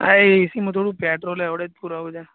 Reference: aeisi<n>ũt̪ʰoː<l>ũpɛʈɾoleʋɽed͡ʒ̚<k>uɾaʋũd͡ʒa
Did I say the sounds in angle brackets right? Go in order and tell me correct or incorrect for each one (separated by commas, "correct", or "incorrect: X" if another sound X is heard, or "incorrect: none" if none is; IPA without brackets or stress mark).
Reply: incorrect: m, incorrect: ɽ, incorrect: p